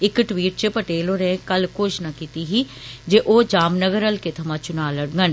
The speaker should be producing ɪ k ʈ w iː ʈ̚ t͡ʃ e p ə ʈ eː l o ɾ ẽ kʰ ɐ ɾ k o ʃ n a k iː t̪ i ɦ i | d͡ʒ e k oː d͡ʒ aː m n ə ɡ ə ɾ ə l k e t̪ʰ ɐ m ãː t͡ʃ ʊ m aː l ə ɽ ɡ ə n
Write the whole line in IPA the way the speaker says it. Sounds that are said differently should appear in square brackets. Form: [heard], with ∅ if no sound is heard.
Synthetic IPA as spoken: ɪ k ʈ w iː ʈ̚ t͡ʃ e p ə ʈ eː l o ɾ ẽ [k] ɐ [l] k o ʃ n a k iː t̪ i ɦ i | d͡ʒ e [ʔ] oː d͡ʒ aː m n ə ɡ ə ɾ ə l k e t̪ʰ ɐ m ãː t͡ʃ ʊ [n] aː l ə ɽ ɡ ə n